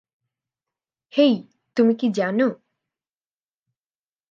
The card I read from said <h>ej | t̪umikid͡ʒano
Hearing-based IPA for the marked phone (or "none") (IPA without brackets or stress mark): h